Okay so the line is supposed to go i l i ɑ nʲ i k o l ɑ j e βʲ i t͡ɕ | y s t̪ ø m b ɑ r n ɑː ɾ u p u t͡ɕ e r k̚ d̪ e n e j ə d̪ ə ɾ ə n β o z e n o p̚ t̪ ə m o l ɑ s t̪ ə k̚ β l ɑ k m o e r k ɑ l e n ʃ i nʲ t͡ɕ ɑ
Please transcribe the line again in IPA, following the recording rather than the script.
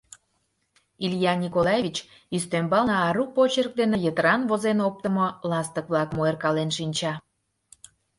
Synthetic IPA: i l j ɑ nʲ i k o l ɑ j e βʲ i t͡ɕ | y s t̪ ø m b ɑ l n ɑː ɾ u p o t͡ɕ e r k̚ d̪ e n e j ə t̪ ə ɾ ɑ n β o z e n o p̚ t̪ ə m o l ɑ s t̪ ə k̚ β l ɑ k m o e r k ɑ l e n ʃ i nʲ t͡ɕ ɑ